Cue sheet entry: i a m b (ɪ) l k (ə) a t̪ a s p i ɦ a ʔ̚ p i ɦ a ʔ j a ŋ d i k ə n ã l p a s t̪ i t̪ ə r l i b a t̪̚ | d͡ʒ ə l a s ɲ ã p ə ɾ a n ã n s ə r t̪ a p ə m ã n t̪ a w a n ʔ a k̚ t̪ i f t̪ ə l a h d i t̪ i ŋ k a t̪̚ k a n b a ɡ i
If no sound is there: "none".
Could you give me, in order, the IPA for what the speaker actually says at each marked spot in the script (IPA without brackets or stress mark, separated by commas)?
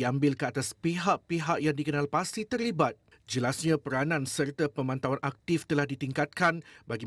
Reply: ɪ, ə